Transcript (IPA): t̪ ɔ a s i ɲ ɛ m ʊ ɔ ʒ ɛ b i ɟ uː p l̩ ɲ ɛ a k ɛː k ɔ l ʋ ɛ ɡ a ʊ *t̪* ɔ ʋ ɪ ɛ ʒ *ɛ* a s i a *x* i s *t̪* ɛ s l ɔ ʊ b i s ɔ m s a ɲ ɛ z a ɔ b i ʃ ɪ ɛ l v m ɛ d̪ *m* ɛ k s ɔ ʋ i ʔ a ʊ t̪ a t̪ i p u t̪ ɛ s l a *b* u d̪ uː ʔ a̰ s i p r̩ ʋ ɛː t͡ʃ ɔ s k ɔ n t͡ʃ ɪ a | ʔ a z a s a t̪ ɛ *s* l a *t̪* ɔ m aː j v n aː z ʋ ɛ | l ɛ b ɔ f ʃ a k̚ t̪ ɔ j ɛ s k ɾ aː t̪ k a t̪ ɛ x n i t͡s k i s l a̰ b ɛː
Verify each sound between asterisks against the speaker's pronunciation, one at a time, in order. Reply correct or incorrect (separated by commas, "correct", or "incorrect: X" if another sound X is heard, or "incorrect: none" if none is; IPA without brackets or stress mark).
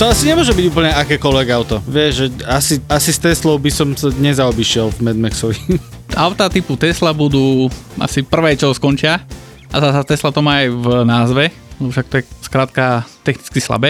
correct, correct, incorrect: s, correct, correct, correct, correct, correct